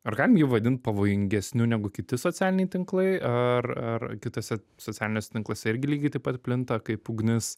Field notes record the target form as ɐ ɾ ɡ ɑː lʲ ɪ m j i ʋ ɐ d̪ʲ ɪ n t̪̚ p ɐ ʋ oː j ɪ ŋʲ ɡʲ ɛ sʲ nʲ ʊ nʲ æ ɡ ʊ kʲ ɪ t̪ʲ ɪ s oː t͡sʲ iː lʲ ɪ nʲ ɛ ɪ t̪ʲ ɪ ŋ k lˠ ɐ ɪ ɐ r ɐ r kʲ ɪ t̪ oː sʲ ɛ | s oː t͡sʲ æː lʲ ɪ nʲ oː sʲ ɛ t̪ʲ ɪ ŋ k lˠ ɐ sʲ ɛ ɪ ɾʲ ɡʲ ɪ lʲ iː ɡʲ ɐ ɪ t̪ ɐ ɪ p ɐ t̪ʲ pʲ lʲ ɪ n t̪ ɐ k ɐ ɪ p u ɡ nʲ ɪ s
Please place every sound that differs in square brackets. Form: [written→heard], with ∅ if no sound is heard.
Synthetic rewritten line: ɐ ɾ ɡ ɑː lʲ ɪ m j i ʋ ɐ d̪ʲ ɪ n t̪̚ p ɐ ʋ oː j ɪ ŋʲ ɡʲ ɛ sʲ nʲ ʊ nʲ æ ɡ ʊ kʲ ɪ t̪ʲ ɪ s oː t͡sʲ [iː→æː] lʲ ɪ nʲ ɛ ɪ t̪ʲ ɪ ŋ k lˠ ɐ ɪ ɐ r ɐ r kʲ ɪ t̪ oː sʲ ɛ | s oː t͡sʲ æː lʲ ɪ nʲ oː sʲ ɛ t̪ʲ ɪ ŋ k lˠ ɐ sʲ ɛ ɪ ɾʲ ɡʲ ɪ lʲ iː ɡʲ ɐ ɪ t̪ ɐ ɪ p ɐ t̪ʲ pʲ lʲ ɪ n t̪ ɐ k ɐ ɪ p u ɡ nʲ ɪ s